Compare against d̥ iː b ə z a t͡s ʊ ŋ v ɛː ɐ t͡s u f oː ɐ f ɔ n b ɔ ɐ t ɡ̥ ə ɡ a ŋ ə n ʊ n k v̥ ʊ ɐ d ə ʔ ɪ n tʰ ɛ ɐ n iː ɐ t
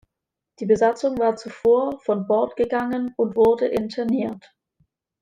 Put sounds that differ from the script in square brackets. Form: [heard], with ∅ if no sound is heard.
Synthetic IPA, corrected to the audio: d̥ iː b ə z a t͡s ʊ ŋ v [aː] ɐ t͡s u f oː ɐ f ɔ n b ɔ ɐ t ɡ̥ ə ɡ a ŋ ə n ʊ n [t] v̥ ʊ ɐ d ə ʔ ɪ n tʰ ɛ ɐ n iː ɐ t